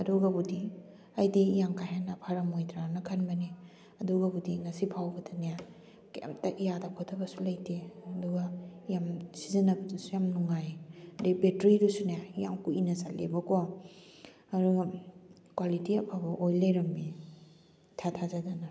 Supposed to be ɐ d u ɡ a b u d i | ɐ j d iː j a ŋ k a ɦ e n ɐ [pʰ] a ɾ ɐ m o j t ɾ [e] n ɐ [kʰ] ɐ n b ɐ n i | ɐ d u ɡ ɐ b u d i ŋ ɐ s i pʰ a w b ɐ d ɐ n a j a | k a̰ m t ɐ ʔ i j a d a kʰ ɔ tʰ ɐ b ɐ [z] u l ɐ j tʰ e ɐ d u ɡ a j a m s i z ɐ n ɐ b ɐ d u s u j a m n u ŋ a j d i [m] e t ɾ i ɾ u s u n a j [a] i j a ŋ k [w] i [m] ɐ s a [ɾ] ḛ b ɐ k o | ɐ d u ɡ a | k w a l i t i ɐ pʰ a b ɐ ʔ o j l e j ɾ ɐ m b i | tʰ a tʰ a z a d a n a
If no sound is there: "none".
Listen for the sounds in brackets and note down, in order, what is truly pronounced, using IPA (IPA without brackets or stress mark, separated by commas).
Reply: pʰ, a, kʰ, s, b, a, u, n, l